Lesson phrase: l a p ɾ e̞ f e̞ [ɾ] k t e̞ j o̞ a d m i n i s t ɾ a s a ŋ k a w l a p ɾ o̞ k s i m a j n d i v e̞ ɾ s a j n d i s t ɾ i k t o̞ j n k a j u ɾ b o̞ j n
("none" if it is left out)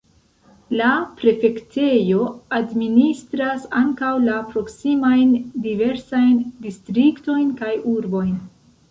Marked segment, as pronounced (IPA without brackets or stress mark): none